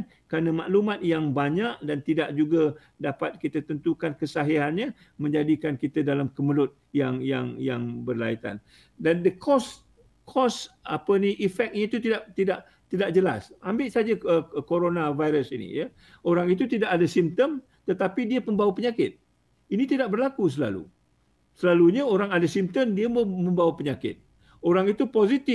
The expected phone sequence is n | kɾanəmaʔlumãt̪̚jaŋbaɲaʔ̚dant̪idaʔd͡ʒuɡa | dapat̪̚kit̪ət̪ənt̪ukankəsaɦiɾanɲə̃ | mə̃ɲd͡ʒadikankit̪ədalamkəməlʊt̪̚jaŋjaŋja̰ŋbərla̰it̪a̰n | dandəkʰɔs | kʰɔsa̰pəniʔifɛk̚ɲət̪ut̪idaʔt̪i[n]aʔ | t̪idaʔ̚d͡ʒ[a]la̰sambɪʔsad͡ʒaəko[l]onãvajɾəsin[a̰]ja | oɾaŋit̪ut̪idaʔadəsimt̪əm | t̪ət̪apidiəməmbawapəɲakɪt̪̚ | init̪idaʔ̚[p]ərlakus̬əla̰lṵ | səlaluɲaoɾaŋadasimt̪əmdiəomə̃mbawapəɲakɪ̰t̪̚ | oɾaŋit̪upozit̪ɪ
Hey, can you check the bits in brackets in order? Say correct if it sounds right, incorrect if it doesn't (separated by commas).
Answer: incorrect, incorrect, incorrect, incorrect, incorrect